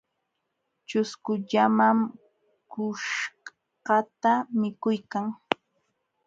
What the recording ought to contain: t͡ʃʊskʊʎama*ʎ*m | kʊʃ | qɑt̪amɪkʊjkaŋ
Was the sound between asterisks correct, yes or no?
no